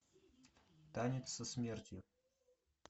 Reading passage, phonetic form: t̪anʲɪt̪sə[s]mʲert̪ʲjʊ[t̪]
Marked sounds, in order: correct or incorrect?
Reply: correct, incorrect: none

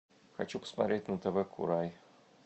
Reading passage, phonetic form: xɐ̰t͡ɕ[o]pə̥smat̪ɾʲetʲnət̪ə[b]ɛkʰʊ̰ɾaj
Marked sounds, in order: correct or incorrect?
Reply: incorrect: u, incorrect: v

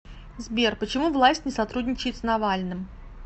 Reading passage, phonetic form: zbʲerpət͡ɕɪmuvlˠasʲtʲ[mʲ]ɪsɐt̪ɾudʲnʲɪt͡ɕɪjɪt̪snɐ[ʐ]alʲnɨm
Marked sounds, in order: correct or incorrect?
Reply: incorrect: nʲ, incorrect: v

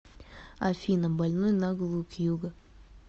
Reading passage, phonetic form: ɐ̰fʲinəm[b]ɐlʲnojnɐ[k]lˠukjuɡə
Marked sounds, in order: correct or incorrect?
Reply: correct, incorrect: ɡ

